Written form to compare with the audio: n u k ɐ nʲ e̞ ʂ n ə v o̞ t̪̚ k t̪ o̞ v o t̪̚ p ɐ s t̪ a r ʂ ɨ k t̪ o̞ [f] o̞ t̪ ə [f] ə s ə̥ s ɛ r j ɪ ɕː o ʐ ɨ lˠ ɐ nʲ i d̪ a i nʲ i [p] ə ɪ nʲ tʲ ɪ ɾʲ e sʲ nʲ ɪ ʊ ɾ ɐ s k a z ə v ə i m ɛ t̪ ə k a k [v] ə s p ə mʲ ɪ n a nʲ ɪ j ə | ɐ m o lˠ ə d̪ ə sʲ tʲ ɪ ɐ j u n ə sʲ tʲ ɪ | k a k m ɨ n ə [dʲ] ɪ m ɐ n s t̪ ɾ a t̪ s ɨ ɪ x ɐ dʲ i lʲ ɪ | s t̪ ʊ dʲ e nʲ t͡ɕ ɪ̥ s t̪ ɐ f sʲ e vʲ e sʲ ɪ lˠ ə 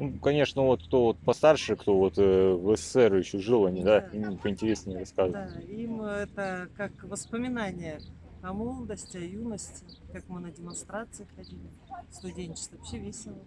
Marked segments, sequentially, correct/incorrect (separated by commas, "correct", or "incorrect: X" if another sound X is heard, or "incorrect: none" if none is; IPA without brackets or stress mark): incorrect: v, incorrect: v, correct, correct, correct